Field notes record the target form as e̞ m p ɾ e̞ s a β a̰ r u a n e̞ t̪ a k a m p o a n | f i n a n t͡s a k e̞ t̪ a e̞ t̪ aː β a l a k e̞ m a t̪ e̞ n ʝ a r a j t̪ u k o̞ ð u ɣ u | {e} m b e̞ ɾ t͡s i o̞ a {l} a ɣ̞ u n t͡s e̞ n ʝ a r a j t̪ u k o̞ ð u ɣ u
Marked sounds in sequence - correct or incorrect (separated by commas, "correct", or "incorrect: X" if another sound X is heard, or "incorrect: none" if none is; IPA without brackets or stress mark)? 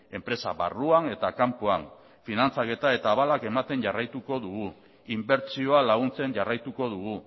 incorrect: i, correct